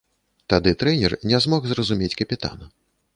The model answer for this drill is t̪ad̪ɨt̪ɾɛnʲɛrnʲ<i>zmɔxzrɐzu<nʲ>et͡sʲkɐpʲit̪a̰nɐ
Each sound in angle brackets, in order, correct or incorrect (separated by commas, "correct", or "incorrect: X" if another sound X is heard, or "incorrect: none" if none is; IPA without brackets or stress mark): incorrect: ɛ, incorrect: mʲ